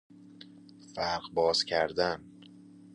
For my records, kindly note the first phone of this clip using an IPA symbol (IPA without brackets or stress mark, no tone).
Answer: f